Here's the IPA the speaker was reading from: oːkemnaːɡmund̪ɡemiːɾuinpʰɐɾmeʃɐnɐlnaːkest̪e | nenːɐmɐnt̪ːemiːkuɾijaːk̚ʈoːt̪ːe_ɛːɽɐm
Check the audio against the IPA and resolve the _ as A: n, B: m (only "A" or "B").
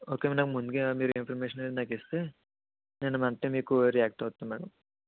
B